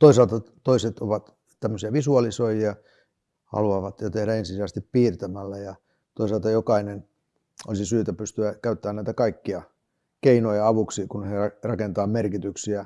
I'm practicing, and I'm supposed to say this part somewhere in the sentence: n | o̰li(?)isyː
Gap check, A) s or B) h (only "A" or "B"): A